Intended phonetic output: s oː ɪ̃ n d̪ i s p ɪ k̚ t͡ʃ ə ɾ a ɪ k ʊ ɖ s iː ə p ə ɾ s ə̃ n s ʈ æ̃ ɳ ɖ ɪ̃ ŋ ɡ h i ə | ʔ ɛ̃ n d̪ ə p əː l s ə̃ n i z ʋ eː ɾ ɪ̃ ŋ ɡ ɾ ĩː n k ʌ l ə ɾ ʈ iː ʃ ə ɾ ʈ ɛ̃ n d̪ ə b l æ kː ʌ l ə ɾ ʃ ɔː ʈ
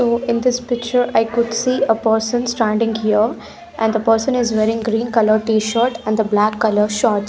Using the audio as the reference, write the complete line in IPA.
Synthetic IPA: s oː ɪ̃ n d̪ ɪ s p ɪ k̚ t͡ʃ ə ɾ a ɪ k ʊ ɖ s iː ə p ə ɾ s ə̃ n s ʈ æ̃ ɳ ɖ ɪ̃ ŋ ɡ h i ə | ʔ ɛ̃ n d̪ ə p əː ɾ s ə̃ n ɪ z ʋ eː ɾ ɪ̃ ŋ ɡ ɾ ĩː n k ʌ l ə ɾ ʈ iː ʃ ə ɾ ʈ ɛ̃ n d̪ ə b l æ kː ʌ l ə ɾ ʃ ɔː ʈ